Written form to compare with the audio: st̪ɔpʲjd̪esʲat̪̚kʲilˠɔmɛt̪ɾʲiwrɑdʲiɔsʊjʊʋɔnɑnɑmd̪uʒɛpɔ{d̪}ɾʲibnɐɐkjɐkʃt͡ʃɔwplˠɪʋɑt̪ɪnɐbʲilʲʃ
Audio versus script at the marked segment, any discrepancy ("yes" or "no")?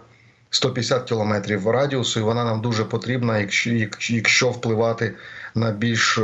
yes